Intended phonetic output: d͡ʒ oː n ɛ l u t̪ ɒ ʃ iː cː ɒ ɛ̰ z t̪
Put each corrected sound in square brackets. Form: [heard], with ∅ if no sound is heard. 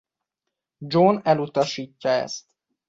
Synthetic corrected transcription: d͡ʒ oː n ɛ l u t̪ ɒ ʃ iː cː ɒ ɛ̰ [s] t̪